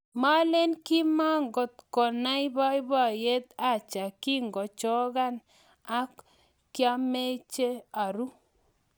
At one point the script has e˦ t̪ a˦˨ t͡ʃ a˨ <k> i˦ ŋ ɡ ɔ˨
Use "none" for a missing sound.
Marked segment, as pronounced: k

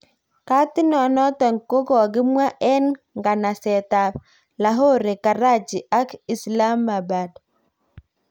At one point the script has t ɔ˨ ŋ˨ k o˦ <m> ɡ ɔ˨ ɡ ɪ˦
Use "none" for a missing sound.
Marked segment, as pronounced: none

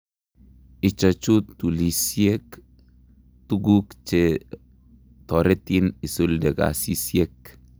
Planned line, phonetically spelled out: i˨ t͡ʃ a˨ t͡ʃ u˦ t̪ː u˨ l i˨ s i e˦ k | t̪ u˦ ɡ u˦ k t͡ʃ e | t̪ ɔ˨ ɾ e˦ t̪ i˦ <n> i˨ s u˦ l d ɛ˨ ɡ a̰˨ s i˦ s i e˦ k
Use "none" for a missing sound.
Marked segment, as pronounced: n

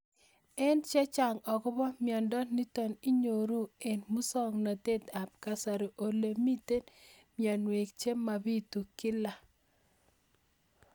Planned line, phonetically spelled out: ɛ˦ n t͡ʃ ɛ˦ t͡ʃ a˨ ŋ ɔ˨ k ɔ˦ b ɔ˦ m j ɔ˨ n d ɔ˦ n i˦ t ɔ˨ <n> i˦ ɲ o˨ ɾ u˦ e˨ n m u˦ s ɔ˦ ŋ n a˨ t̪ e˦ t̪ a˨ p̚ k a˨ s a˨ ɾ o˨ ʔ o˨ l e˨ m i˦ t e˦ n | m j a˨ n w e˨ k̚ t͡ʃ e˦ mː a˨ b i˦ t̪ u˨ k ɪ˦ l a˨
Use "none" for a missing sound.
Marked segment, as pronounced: n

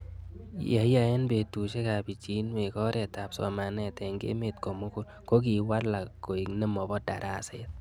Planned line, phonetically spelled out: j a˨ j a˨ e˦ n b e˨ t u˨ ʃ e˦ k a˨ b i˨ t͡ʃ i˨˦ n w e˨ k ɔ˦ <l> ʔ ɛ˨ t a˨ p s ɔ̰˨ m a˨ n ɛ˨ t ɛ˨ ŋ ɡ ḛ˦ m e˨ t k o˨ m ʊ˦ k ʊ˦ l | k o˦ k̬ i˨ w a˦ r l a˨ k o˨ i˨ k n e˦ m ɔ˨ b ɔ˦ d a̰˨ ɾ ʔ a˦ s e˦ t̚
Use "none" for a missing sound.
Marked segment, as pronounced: ɾ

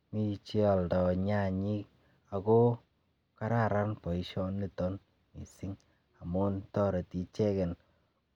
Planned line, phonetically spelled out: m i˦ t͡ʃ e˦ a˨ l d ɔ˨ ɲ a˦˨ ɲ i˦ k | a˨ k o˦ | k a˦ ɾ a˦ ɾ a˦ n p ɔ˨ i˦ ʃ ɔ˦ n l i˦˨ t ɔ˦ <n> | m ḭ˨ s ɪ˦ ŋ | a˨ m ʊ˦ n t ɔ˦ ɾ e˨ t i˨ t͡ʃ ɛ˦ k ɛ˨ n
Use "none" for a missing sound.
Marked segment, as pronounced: n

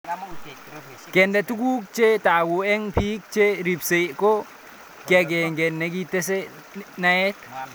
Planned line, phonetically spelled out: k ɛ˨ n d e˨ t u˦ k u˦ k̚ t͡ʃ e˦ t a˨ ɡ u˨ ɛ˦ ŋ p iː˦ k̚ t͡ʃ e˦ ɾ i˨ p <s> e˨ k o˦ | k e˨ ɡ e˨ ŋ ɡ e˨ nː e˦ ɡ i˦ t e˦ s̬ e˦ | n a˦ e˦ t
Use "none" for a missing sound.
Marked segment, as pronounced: s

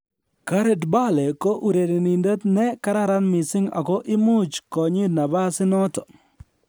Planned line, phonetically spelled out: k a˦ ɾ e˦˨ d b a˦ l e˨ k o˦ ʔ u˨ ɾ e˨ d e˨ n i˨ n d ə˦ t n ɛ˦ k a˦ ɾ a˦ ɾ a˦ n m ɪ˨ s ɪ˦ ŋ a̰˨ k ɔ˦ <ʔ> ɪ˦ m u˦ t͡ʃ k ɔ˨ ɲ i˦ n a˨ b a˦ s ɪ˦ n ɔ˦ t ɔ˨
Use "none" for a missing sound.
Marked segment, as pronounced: ʔ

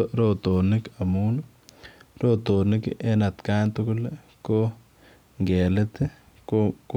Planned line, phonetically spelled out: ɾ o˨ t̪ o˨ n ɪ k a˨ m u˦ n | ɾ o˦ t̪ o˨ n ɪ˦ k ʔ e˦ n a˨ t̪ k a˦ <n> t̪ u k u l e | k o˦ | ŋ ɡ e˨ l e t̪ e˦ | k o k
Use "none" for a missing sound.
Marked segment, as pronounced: n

